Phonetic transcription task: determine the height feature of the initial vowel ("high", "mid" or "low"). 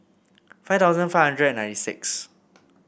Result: low